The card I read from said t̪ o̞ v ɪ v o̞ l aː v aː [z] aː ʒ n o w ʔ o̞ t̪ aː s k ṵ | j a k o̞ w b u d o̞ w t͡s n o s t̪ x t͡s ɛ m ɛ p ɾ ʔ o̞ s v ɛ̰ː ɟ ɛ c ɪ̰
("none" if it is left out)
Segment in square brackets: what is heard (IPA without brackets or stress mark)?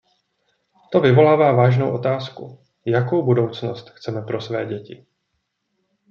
v